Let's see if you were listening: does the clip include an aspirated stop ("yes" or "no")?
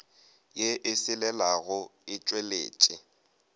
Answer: no